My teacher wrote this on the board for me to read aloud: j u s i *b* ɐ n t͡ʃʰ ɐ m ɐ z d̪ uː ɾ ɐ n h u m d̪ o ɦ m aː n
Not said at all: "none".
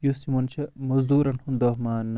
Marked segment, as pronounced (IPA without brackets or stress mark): m